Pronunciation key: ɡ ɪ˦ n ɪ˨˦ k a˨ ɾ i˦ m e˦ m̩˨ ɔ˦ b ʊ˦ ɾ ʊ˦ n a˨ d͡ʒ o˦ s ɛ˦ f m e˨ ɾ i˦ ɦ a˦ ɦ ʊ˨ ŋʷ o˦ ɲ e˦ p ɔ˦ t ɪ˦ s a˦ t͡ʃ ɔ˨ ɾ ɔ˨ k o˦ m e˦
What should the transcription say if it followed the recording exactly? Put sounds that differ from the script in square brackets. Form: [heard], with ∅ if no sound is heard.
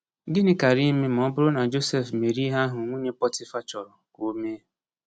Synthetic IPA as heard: ɡ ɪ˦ n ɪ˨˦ k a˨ ɾ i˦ m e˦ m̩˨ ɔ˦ b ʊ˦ ɾ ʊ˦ n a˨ d͡ʒ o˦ s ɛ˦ f m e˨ ɾ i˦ ɦ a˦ ɦ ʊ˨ ŋʷ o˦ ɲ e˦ p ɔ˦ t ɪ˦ [f] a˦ t͡ʃ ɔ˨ ɾ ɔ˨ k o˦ m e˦